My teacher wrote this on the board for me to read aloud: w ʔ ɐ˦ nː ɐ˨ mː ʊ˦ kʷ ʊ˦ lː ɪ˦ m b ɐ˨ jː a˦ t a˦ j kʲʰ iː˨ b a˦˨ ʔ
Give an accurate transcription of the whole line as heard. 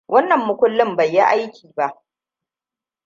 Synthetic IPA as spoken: w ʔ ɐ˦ nː ɐ˨ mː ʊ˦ kʷ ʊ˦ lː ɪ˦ m b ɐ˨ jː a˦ ʔ a˦ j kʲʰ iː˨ b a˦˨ ʔ